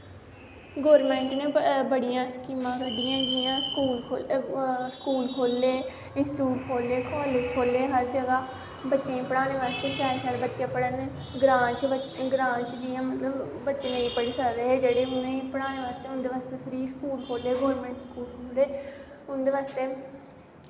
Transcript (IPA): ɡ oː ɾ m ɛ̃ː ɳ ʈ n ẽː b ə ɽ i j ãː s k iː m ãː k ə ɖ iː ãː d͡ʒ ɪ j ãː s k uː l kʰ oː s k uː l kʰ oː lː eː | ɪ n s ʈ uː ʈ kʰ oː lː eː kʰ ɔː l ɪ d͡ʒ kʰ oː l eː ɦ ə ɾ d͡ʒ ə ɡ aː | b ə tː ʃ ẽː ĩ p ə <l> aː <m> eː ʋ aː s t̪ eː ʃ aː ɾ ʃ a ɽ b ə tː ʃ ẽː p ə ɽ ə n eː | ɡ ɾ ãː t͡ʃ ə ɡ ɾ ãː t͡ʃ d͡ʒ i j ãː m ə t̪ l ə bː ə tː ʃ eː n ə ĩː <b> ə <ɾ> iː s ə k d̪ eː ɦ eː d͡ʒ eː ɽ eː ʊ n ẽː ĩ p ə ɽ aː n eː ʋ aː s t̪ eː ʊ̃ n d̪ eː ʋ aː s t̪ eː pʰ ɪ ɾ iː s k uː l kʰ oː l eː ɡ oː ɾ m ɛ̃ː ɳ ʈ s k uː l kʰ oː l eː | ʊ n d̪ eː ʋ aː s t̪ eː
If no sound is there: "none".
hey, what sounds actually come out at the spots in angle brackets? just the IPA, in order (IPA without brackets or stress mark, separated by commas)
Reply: ɽ, n, p, ɽ